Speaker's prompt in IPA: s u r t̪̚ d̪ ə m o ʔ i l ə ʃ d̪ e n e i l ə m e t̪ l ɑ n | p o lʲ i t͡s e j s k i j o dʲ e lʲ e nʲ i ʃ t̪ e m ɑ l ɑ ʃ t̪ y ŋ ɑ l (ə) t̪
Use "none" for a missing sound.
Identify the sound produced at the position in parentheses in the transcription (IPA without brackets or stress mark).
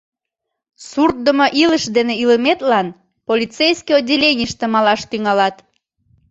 ɑ